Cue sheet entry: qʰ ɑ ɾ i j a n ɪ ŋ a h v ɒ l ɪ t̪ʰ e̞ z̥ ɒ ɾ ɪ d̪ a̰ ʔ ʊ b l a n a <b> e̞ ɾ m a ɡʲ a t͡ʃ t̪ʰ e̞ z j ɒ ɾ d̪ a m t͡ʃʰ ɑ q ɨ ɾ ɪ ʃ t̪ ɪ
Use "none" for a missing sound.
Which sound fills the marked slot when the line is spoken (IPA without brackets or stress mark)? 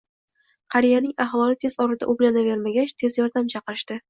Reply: v